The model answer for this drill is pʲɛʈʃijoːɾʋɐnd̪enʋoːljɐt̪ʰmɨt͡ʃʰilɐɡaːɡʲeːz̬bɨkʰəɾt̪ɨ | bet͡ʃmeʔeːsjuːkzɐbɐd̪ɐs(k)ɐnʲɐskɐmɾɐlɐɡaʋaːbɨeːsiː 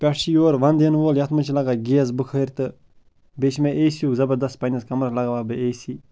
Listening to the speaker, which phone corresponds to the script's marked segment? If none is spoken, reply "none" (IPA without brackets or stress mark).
p